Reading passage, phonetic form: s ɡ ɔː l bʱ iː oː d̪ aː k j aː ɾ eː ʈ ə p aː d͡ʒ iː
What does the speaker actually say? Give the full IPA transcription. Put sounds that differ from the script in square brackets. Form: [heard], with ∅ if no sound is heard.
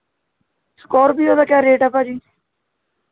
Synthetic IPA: s [k] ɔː [ɾ] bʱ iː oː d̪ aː k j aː ɾ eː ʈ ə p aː d͡ʒ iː